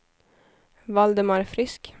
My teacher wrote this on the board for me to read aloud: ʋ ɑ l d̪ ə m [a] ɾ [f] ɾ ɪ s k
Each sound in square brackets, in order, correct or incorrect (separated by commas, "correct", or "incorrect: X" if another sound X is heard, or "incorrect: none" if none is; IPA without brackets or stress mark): incorrect: ɑ, correct